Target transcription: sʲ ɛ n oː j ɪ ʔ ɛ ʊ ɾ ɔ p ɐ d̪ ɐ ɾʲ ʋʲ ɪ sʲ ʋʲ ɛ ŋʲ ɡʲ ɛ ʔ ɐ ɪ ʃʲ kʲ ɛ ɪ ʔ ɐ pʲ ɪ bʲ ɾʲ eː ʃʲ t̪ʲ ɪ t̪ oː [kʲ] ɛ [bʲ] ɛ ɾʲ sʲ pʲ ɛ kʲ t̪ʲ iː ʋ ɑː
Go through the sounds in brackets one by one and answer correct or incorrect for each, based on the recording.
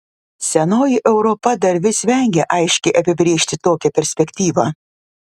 correct, incorrect

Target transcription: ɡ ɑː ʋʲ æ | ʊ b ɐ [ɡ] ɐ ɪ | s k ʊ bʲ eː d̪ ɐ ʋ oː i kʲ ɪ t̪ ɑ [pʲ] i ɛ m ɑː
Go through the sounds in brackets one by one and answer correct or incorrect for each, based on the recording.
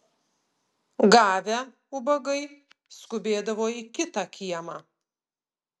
correct, incorrect

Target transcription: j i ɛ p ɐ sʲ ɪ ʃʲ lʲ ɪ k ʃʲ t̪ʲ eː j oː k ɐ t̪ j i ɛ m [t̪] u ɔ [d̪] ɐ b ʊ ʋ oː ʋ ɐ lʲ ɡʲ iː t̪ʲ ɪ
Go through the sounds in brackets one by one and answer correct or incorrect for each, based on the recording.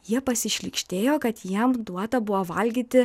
incorrect, incorrect

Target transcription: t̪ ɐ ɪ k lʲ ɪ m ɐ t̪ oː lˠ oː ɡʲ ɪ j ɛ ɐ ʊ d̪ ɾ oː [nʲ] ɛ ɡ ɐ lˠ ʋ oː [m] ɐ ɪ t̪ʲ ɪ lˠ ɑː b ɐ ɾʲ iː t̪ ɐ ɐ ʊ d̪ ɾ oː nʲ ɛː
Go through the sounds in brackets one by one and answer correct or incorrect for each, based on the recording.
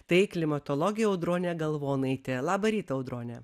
correct, incorrect

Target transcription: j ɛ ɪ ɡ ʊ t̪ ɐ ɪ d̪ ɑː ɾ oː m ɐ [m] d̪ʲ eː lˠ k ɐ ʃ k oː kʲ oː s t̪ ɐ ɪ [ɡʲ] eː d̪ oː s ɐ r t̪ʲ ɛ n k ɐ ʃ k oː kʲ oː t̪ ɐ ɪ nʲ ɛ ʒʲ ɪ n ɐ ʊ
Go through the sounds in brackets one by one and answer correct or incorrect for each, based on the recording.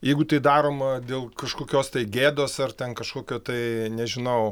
incorrect, correct

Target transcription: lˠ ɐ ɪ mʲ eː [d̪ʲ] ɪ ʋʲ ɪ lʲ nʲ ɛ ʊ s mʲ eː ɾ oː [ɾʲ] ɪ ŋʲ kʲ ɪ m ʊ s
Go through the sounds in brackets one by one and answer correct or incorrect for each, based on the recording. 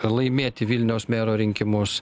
incorrect, correct

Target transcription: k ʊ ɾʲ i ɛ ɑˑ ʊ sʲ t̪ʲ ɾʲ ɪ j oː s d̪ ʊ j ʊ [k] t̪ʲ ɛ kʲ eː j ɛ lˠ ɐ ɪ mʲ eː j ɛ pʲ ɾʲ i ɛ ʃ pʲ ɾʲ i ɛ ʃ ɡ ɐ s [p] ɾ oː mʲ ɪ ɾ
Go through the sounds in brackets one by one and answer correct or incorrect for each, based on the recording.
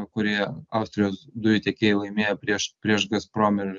incorrect, correct

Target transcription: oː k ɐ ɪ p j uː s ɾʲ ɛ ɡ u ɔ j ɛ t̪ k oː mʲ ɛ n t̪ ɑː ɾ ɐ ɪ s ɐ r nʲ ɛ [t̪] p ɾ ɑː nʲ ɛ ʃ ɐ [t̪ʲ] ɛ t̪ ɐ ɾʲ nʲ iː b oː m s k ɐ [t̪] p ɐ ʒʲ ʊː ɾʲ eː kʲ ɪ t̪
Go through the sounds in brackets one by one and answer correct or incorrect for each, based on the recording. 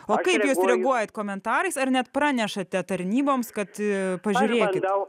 correct, correct, correct

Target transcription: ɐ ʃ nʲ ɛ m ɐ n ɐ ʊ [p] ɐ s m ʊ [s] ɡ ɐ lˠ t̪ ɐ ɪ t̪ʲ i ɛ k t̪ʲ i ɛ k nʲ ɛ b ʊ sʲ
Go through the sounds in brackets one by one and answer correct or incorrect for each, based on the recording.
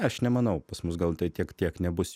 correct, correct

